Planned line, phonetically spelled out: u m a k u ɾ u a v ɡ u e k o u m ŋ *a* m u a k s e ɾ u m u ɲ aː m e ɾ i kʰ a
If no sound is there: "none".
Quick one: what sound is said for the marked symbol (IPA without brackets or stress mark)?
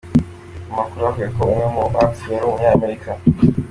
e